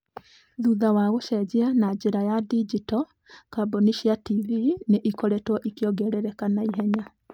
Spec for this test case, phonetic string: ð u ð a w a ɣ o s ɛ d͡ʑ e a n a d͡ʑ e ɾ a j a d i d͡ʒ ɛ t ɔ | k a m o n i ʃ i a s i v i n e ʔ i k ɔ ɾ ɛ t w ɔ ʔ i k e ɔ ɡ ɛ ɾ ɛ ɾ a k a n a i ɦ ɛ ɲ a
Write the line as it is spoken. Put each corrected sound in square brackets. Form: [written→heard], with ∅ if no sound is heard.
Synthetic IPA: ð u ð a w a ɣ o [s→ʃ] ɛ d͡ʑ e a n a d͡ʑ e ɾ a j a d i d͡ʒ [ɛ→i] t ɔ | k a [m→b] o n i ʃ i a [s→t] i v i n e ʔ i k ɔ ɾ ɛ t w ɔ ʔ i k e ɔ ɡ ɛ ɾ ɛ ɾ [a→ɛ] k a n a i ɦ ɛ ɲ a